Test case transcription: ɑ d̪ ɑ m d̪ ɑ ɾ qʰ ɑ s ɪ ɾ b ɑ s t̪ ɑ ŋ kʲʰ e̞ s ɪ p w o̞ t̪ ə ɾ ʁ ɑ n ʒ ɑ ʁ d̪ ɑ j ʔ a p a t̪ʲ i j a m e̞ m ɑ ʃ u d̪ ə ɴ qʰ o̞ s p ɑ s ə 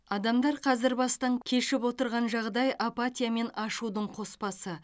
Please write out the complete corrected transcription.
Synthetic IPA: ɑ d̪ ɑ m d̪ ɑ ɾ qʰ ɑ z ɪ ɾ b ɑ s t̪ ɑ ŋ kʲʰ e̞ ʃ ɪ p w o̞ t̪ ə ɾ ʁ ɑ n ʒ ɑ ʁ d̪ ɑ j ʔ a p a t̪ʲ i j a m e̞ n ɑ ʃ u d̪ ə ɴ qʰ o̞ s p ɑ s ə

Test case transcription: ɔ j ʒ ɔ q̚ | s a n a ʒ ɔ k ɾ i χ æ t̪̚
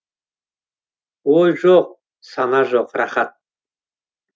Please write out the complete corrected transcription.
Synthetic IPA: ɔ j ʒ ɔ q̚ | s a n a ʒ ɔ q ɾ a χ a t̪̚

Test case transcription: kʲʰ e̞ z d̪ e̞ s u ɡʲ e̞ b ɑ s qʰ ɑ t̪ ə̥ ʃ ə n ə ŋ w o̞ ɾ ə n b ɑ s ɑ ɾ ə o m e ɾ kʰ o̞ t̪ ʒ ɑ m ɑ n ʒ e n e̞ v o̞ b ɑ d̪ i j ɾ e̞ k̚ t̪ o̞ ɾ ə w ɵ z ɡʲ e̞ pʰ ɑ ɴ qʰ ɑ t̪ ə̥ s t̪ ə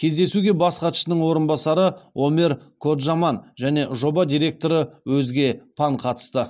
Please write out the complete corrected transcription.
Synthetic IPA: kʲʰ e̞ z d̪ e̞ s u ɡʲ e̞ b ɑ s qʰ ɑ t̪ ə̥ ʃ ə n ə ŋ w o̞ ɾ ə n b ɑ s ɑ ɾ ə o m e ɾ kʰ o̞ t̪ ʒ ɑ m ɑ n ʒ æ n e̞ ʒ o̞ b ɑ d̪ i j ɾ e̞ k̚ t̪ o̞ ɾ ə w ɵ z ɡʲ e̞ pʰ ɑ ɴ qʰ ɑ t̪ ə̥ s t̪ ə

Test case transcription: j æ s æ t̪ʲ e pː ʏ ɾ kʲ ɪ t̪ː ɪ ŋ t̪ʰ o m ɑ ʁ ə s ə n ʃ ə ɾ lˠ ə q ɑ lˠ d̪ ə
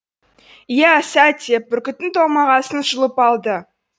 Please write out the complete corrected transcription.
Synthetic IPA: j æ s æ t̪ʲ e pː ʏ ɾ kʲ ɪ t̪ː ɪ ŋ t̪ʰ o m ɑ ʁ ɑ s ə n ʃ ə lˠ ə p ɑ lˠ d̪ ə

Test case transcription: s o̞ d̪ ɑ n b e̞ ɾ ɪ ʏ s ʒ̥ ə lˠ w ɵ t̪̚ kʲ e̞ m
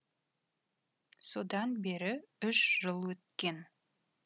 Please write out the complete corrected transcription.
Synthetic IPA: s o̞ d̪ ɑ n b e̞ ɾ ɪ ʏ ʃ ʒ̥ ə lˠ w ɵ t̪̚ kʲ e̞ n

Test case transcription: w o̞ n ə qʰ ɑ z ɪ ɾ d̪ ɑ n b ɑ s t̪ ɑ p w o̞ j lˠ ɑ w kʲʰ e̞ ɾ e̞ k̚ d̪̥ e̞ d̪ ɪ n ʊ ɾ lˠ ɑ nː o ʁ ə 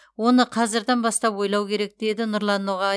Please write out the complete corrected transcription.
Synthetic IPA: w o̞ n ə qʰ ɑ z ɪ ɾ d̪ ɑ n b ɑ s t̪ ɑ p w o̞ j lˠ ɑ w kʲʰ e̞ ɾ e̞ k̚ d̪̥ e̞ d̪ ɪ n ʊ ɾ lˠ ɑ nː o ʁ ɑ

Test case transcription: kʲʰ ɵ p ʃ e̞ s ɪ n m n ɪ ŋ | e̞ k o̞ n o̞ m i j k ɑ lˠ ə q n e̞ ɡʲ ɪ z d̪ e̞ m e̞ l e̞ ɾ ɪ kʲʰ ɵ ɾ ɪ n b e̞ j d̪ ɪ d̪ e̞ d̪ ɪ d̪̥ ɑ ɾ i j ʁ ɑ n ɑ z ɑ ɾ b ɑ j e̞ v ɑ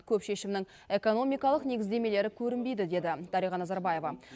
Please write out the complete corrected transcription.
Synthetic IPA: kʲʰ ɵ p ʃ e̞ ʃ ɪ m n ɪ ŋ | e̞ k o̞ n o̞ m i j k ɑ lˠ ə q n e̞ ɡʲ ɪ z d̪ e̞ m e̞ l e̞ ɾ ɪ kʲʰ ɵ ɾ ɪ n b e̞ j d̪ ɪ d̪ e̞ d̪ ɪ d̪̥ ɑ ɾ i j ʁ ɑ n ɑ z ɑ ɾ b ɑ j e̞ v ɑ

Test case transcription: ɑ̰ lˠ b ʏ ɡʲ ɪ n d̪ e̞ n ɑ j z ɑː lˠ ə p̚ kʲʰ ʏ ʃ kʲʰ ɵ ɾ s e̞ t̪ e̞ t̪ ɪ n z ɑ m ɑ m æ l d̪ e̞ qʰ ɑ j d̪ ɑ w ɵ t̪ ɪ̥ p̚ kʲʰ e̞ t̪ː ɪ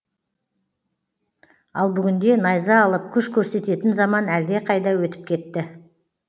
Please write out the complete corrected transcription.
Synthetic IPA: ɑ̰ lˠ b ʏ ɡʲ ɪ n d̪ e̞ n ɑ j z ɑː lˠ ə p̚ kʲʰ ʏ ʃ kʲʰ ɵ ɾ s e̞ t̪ e̞ t̪ ɪ n z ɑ m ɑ n æ l d̪ e̞ qʰ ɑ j d̪ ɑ w ɵ t̪ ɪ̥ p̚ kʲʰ e̞ t̪ː ɪ

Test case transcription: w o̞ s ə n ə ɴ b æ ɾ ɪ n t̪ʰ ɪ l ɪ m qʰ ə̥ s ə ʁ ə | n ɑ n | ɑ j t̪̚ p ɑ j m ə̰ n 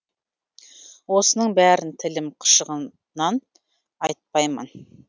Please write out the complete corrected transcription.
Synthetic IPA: w o̞ s ə n ə ɴ b æ ɾ ɪ n t̪ʰ ɪ l ɪ m qʰ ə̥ ʃ ə ʁ ə | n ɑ n | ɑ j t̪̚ p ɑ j m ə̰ n

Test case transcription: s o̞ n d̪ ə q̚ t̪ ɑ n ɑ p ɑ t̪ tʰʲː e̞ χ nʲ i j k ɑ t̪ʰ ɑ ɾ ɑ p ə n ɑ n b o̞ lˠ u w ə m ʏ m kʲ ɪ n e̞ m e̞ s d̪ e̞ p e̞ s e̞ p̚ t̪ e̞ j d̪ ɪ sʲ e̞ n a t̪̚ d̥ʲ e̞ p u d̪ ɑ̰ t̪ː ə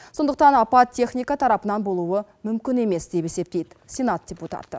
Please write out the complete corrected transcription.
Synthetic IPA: s o̞ n d̪ ə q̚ t̪ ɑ n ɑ p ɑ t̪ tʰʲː e̞ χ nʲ i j k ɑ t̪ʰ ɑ ɾ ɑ p ə n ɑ n b o̞ lˠ u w ə m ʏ m kʲ ɪ n e̞ m e̞ s d̪ e̞ p e̞ s e̞ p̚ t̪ e̞ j d̪ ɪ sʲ e̞ n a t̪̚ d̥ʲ e̞ p u t̪ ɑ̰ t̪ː ə

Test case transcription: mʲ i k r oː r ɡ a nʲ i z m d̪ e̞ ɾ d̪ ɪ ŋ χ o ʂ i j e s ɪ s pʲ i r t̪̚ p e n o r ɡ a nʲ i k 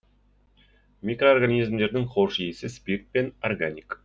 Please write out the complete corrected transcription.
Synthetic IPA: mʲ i k r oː r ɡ a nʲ i z m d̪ e̞ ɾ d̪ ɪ ŋ χ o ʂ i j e s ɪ s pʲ i r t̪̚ p e n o r ɡ a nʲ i k

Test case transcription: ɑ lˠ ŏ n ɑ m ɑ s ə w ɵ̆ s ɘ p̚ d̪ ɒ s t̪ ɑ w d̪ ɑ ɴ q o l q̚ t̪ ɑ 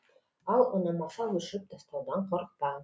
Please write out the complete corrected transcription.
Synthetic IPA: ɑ lˠ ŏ n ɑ m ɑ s ɑ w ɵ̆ ʃ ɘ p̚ d̪ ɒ s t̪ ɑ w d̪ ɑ ɴ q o ɾ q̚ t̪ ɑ

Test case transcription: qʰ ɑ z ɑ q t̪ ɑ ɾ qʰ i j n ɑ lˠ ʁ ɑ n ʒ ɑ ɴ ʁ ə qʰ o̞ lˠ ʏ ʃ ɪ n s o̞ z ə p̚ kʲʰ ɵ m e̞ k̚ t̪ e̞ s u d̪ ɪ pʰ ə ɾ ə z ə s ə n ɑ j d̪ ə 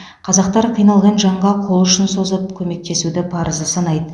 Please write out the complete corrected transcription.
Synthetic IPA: qʰ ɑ z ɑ q t̪ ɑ ɾ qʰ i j n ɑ lˠ ʁ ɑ n ʒ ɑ ɴ ʁ ɑ qʰ o̞ lˠ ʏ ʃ ɪ n s o̞ z ə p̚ kʲʰ ɵ m e̞ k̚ t̪ e̞ s u d̪ ɪ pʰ ɑ ɾ ə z ə s ɑ n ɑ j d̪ ə

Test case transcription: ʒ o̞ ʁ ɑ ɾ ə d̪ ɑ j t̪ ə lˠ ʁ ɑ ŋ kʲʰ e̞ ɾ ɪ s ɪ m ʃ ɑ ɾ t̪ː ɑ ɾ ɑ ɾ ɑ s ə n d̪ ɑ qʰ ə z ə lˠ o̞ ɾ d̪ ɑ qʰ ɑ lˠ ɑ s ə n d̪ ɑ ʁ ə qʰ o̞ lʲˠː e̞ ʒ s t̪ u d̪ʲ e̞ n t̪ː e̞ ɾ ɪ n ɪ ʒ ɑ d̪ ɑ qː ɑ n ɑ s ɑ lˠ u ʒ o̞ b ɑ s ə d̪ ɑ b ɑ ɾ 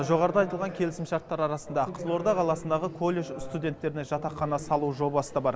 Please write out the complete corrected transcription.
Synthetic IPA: ʒ o̞ ʁ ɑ ɾ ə d̪ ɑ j t̪ ə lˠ ʁ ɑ ŋ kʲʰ e̞ l ɪ s ɪ m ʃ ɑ ɾ t̪ː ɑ ɾ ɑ ɾ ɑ s ə n d̪ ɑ qʰ ə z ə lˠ o̞ ɾ d̪ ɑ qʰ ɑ lˠ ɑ s ə n d̪ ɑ ʁ ə kʰ o̞ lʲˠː e̞ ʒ s t̪ u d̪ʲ e̞ n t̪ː e̞ ɾ ɪ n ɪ ʒ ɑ t̪ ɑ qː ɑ n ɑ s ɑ lˠ u ʒ o̞ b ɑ s ə d̪ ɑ b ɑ ɾ

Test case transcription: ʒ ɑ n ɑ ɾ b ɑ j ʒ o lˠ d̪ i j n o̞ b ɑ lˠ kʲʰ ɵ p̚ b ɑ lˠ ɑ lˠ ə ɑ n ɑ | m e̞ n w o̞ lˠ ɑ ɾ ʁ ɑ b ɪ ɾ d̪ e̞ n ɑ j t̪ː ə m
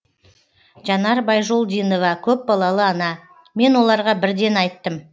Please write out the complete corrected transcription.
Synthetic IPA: ʒ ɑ n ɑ ɾ b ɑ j ʒ o lˠ d̪ i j n o̞ v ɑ kʲʰ ɵ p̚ b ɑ lˠ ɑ lˠ ə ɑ n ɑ | m e̞ n w o̞ lˠ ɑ ɾ ʁ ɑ b ɪ ɾ d̪ e̞ n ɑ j t̪ː ə m

